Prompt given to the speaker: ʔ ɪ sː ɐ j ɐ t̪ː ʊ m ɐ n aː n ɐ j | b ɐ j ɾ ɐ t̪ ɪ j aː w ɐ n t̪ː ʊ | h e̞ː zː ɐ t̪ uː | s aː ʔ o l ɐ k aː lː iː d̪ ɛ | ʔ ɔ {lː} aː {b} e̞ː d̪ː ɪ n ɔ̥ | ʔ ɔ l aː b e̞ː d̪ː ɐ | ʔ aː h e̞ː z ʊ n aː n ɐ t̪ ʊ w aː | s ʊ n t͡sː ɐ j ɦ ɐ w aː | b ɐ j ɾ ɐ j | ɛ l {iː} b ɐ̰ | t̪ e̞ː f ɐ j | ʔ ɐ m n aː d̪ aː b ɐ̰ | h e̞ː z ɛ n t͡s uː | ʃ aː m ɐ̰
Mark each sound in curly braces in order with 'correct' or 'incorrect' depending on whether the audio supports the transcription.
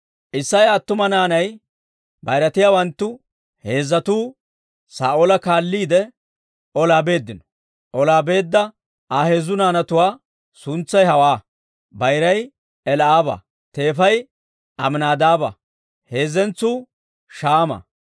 incorrect: l, correct, incorrect: aː

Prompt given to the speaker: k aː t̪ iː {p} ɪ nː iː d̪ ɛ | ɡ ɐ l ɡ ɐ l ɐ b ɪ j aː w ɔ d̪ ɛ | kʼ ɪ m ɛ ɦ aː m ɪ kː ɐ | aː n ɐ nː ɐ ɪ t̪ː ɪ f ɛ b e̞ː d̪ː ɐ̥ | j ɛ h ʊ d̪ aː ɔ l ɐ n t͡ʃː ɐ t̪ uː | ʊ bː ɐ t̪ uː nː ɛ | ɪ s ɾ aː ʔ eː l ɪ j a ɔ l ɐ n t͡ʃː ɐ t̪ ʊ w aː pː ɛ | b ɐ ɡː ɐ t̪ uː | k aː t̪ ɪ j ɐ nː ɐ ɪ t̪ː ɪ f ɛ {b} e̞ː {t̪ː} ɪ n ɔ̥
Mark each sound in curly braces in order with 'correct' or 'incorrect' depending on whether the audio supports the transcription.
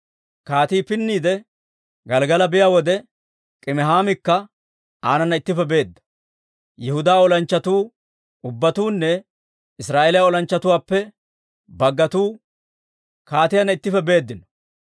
correct, correct, incorrect: d̪ː

